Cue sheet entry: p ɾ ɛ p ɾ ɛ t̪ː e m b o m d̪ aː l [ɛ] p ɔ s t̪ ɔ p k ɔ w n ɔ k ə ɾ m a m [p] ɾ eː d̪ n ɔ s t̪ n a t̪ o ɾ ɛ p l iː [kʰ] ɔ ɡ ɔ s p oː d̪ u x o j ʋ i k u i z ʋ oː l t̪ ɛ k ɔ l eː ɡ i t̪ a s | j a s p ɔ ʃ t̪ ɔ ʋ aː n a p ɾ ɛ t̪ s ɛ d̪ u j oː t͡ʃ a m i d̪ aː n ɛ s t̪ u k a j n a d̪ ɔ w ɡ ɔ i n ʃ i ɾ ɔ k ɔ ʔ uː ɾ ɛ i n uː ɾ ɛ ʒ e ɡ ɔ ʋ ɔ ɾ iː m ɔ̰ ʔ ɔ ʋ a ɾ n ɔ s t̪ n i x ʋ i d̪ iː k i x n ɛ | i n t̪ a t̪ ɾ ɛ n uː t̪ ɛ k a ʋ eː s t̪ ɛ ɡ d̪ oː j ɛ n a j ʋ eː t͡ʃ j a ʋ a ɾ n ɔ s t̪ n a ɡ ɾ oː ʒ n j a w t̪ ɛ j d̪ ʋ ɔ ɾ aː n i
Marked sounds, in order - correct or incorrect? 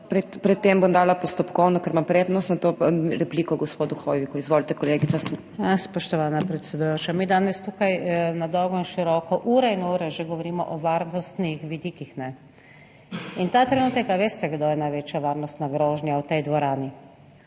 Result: incorrect: a, correct, incorrect: k

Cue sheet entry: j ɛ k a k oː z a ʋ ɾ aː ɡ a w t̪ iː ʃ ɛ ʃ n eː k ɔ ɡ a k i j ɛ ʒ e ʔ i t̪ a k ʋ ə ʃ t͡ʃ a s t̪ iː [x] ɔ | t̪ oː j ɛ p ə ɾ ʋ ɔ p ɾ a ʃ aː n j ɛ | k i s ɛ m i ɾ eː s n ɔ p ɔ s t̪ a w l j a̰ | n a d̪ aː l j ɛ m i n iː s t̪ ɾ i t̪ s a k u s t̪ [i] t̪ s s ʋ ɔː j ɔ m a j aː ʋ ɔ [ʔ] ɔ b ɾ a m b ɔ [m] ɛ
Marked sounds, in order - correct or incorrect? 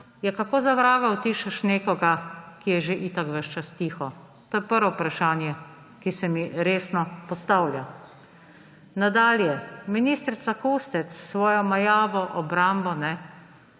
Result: correct, incorrect: ɛ, correct, incorrect: n

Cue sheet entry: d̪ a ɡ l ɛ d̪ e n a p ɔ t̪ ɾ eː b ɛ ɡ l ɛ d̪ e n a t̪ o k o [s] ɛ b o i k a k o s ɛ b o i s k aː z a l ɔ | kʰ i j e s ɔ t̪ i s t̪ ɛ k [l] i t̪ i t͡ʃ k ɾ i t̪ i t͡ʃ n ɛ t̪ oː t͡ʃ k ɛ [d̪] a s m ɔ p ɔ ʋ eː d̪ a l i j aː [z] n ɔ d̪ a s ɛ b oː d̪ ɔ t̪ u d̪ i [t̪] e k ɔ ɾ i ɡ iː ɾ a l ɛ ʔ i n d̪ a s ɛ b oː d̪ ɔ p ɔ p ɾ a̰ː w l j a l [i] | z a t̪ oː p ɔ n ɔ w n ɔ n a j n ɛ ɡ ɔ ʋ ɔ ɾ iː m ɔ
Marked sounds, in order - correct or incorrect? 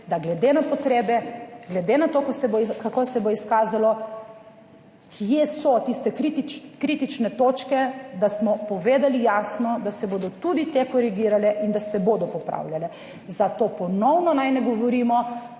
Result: correct, incorrect: ɾ, correct, incorrect: s, correct, incorrect: ɛ

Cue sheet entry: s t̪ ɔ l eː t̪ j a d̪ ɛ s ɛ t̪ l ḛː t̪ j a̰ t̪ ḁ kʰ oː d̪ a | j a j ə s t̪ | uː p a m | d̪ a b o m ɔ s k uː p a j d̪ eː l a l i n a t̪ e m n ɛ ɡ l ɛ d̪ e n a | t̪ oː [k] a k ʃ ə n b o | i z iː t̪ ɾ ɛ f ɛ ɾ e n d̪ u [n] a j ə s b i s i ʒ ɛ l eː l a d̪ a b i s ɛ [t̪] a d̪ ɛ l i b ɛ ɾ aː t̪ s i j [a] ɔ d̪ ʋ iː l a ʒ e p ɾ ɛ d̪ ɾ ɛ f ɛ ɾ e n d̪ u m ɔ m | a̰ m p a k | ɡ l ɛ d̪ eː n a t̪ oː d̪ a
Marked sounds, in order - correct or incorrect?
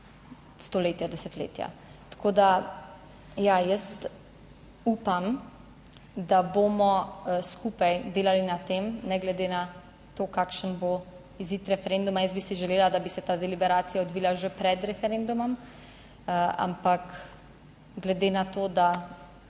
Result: correct, incorrect: m, correct, correct

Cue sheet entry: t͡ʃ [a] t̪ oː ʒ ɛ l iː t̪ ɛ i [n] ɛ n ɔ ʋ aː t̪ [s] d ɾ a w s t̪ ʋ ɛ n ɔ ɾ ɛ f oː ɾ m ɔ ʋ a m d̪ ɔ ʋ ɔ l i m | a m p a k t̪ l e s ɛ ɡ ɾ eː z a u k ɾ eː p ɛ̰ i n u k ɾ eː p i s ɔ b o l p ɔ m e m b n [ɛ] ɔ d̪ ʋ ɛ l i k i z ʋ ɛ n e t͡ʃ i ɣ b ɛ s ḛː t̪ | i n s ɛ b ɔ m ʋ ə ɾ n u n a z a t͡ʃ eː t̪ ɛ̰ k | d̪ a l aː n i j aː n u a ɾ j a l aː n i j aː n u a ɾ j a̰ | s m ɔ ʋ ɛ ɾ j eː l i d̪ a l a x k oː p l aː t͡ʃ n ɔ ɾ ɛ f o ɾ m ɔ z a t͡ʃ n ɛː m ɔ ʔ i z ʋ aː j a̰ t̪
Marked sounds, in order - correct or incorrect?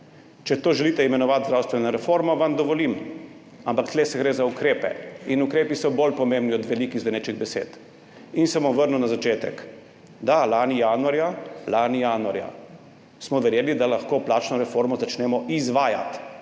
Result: incorrect: ɛ, incorrect: m, incorrect: z, incorrect: i

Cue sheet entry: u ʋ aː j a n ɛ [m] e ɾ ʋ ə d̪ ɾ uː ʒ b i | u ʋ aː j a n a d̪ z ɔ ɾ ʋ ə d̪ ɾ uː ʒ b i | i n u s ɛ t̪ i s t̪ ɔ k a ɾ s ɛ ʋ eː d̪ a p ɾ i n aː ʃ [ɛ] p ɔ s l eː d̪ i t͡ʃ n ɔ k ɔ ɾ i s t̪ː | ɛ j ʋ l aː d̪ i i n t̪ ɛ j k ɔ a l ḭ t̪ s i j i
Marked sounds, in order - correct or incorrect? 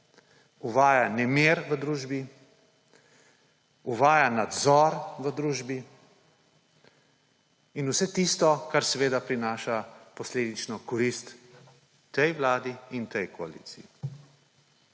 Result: correct, incorrect: a

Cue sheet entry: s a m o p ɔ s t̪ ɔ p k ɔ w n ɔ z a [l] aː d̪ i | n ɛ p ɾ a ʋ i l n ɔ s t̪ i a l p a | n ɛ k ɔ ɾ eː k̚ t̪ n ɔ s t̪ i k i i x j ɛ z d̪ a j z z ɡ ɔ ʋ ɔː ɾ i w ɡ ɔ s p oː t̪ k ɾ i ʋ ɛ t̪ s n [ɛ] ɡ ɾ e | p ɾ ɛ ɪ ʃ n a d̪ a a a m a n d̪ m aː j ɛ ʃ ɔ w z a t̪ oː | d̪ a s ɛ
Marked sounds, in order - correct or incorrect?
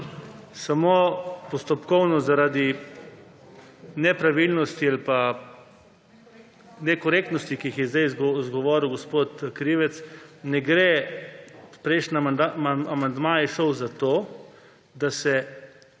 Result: incorrect: ɾ, correct

